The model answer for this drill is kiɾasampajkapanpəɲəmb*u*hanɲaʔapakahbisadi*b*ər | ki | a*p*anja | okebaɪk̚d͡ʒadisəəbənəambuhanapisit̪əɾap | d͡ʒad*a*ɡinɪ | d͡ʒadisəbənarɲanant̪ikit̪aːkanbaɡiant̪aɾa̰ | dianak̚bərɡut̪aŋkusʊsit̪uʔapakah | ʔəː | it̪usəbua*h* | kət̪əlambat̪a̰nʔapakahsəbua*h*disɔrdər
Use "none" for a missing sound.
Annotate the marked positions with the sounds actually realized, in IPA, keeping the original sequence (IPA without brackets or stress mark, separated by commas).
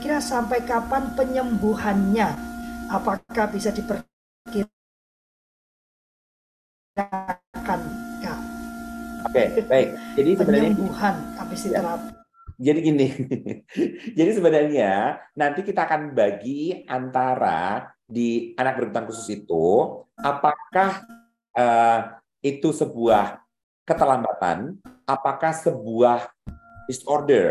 u, p, k, i, h, h